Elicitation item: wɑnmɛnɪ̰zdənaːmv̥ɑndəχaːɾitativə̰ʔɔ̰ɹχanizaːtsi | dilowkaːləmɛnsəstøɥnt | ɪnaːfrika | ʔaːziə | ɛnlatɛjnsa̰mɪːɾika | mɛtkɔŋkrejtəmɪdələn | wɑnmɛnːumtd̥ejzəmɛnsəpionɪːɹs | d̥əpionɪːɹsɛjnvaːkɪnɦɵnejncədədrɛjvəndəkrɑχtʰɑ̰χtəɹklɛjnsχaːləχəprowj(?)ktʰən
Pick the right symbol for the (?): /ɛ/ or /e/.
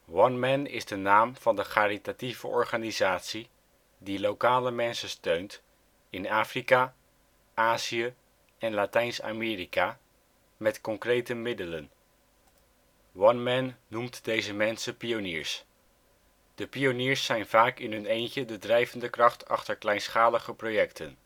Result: ɛ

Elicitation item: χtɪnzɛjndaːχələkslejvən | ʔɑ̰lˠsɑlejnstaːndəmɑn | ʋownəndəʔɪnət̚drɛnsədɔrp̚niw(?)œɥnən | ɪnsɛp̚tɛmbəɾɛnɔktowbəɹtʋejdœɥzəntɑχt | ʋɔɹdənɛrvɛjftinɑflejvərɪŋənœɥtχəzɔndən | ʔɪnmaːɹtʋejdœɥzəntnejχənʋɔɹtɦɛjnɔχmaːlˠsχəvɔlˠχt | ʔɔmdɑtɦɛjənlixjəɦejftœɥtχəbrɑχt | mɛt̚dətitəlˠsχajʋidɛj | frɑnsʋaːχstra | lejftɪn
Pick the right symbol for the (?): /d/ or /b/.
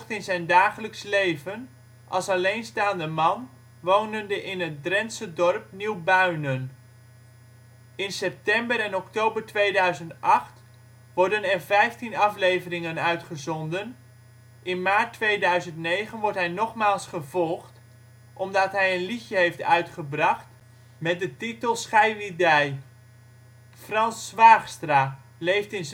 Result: b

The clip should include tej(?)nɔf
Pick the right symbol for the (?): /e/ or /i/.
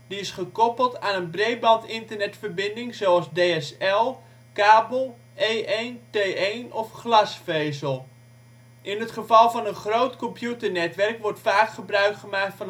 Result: e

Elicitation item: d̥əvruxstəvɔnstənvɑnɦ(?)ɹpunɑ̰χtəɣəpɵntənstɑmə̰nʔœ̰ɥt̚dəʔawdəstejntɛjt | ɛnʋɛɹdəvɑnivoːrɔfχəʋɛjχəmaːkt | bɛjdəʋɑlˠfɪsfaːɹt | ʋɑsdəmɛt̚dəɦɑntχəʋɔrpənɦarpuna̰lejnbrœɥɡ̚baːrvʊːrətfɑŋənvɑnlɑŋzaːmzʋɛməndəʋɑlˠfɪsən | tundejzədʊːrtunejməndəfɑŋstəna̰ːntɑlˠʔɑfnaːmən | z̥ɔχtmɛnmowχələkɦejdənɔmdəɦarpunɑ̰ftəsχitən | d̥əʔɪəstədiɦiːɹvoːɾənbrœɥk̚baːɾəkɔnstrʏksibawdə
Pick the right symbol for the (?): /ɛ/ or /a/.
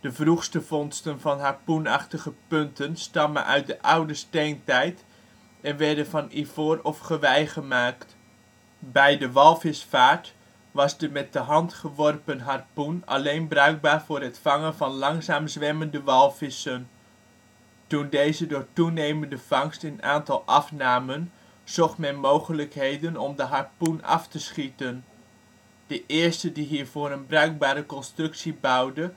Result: a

